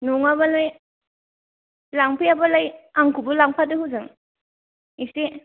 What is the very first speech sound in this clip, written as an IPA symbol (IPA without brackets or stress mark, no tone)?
n